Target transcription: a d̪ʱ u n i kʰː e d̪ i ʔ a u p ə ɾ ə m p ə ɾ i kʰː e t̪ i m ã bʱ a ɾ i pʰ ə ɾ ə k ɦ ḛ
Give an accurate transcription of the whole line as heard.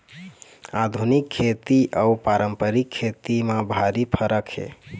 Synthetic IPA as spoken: a d̪ʱ u n i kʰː e t̪ i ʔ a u p a ɾ ə m p ə ɾ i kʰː e t̪ i m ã bʱ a ɾ i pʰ ə ɾ ə k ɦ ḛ